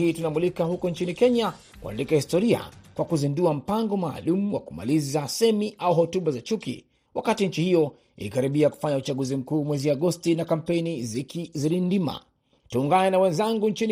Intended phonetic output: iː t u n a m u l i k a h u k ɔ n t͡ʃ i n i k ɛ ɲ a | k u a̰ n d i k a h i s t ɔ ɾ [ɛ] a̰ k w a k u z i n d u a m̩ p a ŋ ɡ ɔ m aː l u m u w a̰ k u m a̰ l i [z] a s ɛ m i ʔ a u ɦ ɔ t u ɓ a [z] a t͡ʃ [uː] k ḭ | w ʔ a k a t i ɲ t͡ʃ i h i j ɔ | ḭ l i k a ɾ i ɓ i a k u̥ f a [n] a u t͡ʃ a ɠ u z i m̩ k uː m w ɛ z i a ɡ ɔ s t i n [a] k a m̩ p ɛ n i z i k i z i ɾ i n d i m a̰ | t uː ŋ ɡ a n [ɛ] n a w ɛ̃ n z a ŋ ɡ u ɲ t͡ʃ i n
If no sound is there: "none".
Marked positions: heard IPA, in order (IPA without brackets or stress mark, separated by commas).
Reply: i, z, z, u, ɲ, a, ɛ